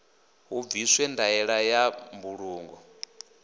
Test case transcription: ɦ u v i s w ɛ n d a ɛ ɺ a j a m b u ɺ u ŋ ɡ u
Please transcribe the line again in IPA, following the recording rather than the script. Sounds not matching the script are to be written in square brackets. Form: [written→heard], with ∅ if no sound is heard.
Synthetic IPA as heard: ɦ u v i s w ɛ n d a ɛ ɺ a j a m b u ɺ [u→uː] ŋ ɡ [u→ɔ]

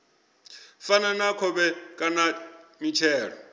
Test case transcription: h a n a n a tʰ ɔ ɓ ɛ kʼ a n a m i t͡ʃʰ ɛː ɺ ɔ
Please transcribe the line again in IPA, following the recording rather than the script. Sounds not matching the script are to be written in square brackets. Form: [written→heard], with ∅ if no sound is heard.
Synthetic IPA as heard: [h→f] a n a n a [tʰ→kʰ] ɔ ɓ ɛ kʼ a n a m i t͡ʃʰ ɛː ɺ ɔ

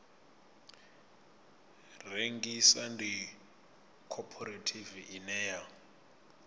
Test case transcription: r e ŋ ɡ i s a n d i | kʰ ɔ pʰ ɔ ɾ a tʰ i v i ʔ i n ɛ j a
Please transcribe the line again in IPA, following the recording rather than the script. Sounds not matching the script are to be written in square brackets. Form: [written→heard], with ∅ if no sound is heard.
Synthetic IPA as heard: r e ŋ ɡ i s a n d i | kʰ ɔ pʰ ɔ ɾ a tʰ i v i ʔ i n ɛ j a

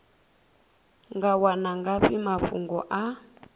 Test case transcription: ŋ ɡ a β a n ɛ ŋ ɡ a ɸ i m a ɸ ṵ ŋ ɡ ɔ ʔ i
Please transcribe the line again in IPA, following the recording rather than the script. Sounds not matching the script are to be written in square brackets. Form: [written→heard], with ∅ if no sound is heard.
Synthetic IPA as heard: ŋ ɡ a [β→w] a n [ɛ→a] ŋ ɡ a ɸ i m a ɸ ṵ ŋ ɡ ɔ ʔ [i→a]

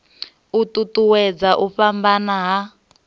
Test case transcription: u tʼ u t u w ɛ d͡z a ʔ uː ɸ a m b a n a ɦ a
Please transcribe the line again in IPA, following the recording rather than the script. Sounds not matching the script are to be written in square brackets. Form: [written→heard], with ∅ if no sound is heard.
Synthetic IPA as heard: u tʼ u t u w ɛ d͡z a ʔ [uː→u] ɸ a m b a n a ɦ a

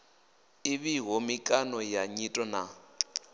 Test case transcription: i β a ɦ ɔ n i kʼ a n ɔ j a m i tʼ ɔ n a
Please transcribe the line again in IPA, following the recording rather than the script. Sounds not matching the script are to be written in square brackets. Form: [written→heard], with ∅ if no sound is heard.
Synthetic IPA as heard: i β [a→i] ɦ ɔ [n→m] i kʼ a n ɔ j a [m→ɲ] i tʼ ɔ n a

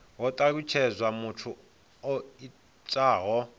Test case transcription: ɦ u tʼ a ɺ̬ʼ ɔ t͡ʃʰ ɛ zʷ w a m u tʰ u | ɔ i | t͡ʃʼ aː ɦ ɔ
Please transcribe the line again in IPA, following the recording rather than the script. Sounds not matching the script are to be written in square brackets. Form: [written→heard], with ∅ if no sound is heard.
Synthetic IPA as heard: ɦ [u→ɔ] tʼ a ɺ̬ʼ [ɔ→u] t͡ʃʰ ɛ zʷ w a m u tʰ u | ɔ i | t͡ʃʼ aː ɦ ɔ

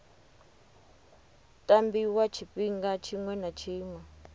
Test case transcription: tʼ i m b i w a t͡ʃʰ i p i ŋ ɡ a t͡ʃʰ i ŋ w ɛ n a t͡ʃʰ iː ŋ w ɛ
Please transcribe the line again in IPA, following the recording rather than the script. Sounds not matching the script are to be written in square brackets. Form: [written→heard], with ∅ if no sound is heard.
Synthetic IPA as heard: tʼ [i→a] m b i w a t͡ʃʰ i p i ŋ ɡ a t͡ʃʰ i ŋ w ɛ n a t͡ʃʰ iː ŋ w ɛ

